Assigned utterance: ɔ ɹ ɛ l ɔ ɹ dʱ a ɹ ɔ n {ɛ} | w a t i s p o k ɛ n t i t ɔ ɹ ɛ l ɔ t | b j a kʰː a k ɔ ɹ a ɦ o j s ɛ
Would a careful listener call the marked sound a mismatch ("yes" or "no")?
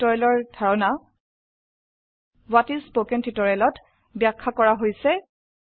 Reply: yes